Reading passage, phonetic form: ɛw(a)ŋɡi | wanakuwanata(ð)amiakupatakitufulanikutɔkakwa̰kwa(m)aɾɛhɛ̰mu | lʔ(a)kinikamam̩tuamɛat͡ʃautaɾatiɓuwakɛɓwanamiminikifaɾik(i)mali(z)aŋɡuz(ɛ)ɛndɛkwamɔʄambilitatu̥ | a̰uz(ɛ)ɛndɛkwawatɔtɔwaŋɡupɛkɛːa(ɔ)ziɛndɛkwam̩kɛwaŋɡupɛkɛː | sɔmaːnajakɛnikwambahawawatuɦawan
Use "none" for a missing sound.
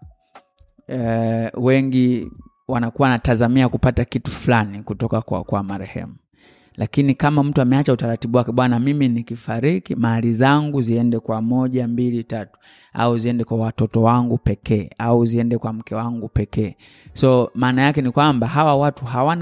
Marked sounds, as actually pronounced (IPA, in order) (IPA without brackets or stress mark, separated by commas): ɛ, z, m, a, i, z, i, i, u